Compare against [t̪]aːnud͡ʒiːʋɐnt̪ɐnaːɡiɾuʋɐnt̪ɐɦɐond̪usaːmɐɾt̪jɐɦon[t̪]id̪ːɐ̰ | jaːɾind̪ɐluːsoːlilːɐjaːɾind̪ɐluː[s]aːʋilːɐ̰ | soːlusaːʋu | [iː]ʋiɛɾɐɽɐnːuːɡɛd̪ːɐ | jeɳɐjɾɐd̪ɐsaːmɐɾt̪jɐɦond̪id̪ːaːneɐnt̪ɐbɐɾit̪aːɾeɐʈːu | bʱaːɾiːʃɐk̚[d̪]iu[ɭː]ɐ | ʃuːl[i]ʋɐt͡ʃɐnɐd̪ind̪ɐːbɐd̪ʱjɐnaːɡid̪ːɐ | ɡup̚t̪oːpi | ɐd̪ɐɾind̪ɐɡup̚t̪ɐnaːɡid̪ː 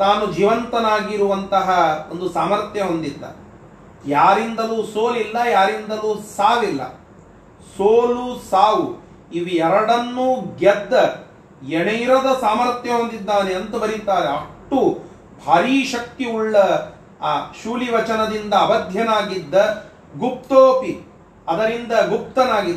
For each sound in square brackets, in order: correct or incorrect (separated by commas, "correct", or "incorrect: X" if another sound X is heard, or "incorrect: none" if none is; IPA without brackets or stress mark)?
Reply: correct, incorrect: d̪, correct, incorrect: i, incorrect: t̪, correct, correct